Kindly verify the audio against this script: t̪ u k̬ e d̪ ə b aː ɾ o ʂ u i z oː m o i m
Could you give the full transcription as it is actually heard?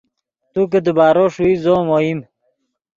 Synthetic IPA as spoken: t̪ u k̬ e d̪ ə b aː ɾ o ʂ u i z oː m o i m